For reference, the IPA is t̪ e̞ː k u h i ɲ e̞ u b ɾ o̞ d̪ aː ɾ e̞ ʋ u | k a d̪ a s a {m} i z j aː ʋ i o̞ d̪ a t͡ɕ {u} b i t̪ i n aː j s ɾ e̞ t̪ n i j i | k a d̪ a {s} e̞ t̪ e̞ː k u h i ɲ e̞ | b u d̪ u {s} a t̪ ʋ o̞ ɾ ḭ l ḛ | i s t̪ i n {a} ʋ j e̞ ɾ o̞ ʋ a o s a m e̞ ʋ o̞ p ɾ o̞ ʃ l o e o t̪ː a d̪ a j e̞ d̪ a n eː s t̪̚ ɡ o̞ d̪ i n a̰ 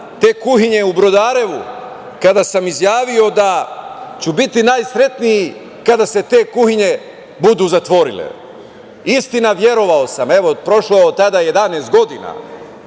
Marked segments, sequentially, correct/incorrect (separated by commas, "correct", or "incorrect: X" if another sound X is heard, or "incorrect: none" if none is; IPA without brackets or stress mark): correct, correct, correct, incorrect: z, correct